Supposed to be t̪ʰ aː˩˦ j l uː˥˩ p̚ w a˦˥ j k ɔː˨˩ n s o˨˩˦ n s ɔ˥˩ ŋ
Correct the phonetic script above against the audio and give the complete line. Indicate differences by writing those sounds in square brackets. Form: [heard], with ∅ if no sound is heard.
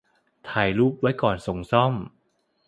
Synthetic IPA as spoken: t̪ʰ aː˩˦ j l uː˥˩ p̚ w a˦˥ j k ɔː˨˩ n s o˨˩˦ [ŋ] s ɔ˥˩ [m]